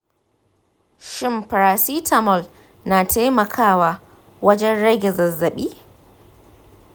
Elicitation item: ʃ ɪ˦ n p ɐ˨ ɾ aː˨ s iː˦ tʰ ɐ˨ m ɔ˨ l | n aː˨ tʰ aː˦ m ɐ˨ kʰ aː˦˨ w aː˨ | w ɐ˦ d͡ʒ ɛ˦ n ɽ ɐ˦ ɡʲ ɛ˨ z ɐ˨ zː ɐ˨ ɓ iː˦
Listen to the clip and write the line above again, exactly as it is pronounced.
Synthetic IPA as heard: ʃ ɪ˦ m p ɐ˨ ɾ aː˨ s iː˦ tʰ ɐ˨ m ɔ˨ l | n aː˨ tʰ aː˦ m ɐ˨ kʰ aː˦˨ w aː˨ | w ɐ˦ d͡ʒ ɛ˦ n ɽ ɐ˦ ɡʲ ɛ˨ z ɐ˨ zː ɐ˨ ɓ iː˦